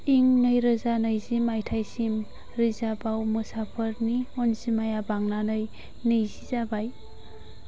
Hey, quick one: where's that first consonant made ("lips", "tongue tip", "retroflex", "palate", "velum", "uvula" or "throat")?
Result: velum